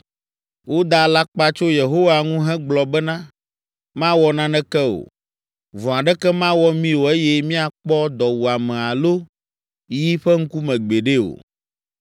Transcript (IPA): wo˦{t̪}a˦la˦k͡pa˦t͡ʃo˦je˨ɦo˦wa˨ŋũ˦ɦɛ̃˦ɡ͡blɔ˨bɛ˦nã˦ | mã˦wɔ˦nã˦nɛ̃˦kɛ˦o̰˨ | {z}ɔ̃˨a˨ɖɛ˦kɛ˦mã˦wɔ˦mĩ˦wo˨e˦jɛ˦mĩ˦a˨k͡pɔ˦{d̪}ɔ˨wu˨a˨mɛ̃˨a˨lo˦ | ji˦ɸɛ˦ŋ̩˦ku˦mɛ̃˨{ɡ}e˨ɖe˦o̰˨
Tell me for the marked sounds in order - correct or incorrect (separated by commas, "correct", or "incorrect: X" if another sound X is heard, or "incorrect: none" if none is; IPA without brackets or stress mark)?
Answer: incorrect: d̪, incorrect: v, correct, incorrect: ɡ͡b